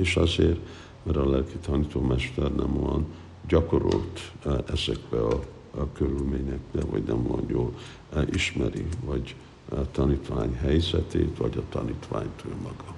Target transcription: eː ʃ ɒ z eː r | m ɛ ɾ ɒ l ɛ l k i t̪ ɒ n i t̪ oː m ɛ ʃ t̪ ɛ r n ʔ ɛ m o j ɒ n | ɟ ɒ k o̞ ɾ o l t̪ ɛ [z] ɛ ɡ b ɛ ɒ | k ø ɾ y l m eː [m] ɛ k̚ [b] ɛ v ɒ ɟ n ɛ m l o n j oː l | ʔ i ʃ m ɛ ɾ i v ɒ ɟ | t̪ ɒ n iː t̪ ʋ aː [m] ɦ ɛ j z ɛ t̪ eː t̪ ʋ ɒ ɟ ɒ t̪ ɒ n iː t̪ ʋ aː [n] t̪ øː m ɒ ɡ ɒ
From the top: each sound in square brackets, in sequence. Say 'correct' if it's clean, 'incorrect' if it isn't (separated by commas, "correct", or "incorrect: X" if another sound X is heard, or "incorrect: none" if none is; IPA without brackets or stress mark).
correct, incorrect: ɲ, correct, incorrect: ɲ, incorrect: ɲ